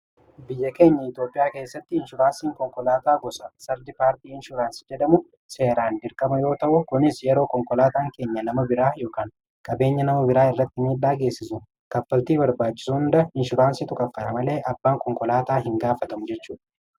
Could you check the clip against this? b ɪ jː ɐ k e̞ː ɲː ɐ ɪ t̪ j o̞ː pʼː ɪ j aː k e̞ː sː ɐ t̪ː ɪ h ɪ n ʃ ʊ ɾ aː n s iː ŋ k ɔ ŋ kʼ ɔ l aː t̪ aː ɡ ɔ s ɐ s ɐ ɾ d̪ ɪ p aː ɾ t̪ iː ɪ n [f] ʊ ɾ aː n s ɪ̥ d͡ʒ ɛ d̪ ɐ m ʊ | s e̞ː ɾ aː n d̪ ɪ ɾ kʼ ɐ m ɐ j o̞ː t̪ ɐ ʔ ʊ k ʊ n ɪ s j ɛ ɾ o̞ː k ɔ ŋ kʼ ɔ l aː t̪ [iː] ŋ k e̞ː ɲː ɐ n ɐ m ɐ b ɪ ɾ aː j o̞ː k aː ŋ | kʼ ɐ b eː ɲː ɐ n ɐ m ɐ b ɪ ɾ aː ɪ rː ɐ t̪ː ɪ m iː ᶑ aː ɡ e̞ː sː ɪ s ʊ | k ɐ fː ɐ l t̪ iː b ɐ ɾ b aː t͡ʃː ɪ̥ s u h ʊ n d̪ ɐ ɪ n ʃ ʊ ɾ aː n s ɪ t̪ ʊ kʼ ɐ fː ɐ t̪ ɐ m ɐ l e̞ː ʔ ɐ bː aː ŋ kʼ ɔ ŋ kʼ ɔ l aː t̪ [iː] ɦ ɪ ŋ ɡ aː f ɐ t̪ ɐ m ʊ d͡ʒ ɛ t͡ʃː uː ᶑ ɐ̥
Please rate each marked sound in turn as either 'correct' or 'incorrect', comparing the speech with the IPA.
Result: incorrect, incorrect, incorrect

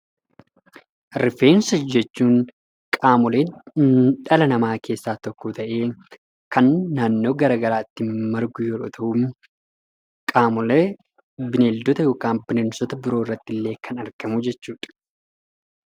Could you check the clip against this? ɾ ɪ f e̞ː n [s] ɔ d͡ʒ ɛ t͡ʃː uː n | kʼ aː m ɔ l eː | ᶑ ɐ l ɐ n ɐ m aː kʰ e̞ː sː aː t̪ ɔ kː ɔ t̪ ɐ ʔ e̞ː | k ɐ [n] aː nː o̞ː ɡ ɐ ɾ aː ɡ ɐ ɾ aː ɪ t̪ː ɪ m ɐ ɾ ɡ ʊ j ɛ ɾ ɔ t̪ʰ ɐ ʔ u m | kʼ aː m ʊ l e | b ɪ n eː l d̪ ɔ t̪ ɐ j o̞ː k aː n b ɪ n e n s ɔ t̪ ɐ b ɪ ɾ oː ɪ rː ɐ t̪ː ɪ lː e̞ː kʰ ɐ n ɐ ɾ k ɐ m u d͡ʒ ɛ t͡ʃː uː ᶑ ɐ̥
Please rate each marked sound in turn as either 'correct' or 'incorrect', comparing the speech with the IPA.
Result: correct, incorrect

